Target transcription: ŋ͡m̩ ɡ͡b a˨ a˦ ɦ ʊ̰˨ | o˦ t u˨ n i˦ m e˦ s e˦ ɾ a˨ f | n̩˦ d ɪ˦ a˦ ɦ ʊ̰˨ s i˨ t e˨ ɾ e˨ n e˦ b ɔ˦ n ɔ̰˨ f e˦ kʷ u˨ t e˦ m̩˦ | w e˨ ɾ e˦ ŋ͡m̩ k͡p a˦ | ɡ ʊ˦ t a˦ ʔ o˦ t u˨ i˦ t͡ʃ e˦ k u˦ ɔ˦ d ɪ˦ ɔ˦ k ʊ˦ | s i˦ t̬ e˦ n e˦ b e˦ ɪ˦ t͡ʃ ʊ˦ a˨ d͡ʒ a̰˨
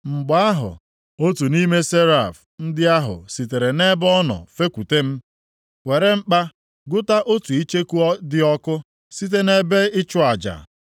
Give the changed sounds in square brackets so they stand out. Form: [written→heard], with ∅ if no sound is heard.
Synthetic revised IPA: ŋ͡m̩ ɡ͡b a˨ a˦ ɦ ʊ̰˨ | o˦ t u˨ n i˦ m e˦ s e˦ ɾ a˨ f | n̩˦ d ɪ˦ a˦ ɦ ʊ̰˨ s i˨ t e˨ ɾ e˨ n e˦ b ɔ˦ n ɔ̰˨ f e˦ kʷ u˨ t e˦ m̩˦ | w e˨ ɾ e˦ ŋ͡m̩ k͡p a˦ | ɡ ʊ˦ t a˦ ʔ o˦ t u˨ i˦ t͡ʃ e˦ k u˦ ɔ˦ d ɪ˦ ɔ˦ k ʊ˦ | s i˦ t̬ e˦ n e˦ b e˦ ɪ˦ t͡ʃ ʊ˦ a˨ d͡ʒ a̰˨